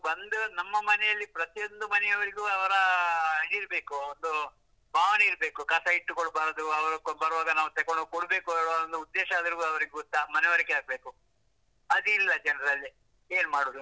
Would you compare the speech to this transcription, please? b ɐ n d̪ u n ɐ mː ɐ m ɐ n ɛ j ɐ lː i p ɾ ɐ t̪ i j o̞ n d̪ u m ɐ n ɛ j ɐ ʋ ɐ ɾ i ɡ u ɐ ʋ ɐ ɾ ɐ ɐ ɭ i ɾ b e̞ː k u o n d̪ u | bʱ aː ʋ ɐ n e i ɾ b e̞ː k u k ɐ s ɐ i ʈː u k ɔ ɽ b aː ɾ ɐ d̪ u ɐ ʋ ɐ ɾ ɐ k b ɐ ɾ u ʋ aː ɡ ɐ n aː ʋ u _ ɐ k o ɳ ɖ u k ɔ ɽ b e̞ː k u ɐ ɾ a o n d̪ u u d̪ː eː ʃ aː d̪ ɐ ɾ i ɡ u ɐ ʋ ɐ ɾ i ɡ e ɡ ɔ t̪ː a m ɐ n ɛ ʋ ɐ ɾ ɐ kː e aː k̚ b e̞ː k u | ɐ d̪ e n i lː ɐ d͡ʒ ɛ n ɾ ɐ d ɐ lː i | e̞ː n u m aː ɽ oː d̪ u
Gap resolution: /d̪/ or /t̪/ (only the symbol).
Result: t̪